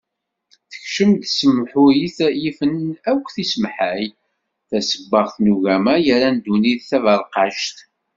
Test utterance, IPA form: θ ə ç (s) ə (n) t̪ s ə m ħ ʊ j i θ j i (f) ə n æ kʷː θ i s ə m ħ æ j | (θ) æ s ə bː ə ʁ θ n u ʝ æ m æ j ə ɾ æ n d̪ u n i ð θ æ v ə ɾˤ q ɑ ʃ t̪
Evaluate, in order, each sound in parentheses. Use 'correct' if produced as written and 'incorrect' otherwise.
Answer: incorrect: ʃ, incorrect: m, correct, correct

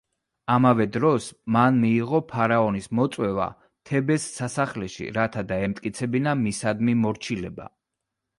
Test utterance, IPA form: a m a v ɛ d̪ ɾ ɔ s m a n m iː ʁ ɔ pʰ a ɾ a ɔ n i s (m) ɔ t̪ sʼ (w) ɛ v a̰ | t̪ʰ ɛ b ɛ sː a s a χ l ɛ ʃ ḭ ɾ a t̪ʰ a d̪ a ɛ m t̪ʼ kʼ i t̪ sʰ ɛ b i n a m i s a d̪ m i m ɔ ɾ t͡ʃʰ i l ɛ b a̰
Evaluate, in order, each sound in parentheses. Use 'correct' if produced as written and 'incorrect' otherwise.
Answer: correct, correct

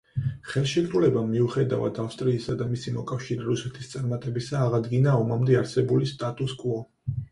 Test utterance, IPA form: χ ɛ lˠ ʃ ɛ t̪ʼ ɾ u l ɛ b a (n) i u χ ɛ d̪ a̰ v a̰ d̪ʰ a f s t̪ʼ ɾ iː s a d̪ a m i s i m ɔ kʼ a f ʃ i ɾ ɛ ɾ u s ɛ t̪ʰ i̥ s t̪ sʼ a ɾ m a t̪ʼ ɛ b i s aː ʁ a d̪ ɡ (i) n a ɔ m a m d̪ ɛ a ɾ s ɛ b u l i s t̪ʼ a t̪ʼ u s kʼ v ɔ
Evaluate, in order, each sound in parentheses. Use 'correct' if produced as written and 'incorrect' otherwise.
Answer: incorrect: m, correct

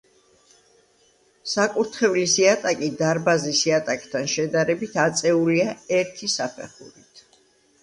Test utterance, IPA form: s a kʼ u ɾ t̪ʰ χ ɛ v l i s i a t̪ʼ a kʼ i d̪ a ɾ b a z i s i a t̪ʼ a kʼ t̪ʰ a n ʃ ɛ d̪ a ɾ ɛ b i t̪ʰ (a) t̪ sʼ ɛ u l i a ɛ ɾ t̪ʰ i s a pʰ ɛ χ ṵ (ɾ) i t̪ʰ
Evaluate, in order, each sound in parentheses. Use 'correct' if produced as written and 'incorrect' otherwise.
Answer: correct, correct

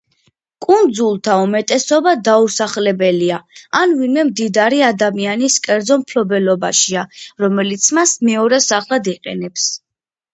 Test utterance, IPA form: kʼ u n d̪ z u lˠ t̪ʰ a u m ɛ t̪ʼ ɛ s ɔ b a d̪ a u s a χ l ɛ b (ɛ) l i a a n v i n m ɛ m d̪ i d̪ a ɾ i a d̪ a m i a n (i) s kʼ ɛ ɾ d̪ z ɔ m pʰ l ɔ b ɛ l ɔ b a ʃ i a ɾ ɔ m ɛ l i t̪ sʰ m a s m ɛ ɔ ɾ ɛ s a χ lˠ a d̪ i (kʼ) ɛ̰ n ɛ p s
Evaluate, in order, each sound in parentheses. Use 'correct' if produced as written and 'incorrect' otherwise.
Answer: correct, correct, incorrect: qʼ

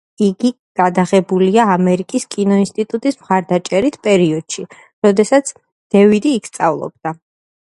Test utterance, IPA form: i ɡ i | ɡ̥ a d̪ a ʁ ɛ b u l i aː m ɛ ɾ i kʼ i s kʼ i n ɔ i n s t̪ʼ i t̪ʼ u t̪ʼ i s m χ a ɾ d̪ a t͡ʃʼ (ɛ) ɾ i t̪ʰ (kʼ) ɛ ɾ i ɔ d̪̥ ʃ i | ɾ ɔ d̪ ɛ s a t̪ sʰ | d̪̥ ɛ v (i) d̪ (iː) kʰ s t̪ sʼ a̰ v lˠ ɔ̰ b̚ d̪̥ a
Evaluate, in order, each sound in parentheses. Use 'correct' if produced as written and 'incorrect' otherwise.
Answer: correct, incorrect: pʼ, correct, correct

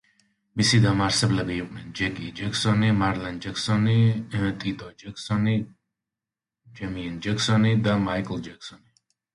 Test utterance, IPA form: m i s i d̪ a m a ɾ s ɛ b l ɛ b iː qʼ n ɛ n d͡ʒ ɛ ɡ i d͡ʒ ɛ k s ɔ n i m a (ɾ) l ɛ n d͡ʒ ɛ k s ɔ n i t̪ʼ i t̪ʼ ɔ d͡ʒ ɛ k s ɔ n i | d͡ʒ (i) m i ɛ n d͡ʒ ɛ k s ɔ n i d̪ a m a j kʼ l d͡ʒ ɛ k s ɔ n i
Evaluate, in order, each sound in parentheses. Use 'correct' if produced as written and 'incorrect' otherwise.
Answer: correct, incorrect: ɛ

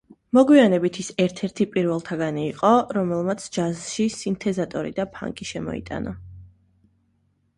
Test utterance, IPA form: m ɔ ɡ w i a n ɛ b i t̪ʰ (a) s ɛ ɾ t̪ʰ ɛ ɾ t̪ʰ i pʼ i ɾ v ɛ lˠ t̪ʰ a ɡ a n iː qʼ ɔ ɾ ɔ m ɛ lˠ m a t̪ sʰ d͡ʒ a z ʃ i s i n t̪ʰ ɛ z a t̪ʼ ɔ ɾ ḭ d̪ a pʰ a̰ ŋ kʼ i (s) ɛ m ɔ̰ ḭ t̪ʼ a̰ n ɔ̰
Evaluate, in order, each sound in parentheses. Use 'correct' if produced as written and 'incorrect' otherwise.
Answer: incorrect: i, incorrect: ʃ

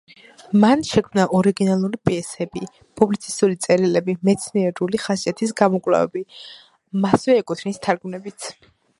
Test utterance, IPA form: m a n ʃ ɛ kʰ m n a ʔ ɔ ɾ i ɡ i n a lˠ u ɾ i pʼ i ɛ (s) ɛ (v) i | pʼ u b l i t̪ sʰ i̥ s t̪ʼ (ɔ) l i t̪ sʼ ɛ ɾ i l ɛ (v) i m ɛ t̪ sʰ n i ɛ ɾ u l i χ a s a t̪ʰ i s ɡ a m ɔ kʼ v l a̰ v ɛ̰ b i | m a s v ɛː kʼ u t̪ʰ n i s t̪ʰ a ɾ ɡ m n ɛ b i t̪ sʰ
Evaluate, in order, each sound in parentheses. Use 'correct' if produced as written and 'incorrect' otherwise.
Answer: correct, incorrect: b, incorrect: u, incorrect: b

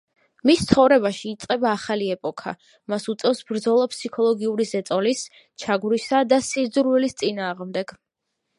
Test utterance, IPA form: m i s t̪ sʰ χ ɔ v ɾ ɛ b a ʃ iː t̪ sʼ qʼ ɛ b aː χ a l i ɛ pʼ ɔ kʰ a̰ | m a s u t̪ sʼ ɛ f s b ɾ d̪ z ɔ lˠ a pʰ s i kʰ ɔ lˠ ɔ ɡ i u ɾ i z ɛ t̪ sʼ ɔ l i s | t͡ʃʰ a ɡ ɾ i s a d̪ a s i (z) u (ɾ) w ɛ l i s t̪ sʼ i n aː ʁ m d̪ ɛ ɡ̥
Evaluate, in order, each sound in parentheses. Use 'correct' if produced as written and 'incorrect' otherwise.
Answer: correct, correct

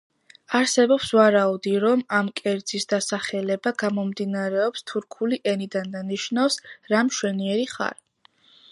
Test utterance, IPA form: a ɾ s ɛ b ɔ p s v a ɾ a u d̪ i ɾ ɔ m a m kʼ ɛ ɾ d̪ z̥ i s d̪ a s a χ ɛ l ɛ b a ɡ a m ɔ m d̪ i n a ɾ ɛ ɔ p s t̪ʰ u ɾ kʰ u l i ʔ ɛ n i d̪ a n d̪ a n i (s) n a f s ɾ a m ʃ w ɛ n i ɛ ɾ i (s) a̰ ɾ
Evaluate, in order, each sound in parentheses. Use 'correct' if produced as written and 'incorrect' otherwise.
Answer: incorrect: ʃ, incorrect: χ

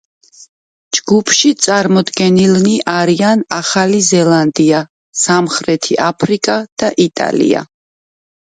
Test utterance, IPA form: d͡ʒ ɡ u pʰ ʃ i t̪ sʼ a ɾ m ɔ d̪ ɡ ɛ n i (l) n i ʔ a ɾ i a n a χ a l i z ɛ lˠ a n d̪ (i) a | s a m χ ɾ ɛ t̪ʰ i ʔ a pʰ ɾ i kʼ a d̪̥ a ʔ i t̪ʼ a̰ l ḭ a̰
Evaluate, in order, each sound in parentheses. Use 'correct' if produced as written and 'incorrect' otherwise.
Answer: correct, correct

